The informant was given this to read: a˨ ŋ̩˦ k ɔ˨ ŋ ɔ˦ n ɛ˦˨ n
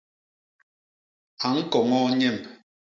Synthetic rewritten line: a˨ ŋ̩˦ k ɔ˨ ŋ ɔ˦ ɲ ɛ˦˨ m